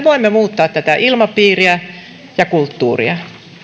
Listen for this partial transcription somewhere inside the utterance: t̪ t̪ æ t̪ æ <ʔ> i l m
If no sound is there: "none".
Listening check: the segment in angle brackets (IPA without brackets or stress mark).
ʔ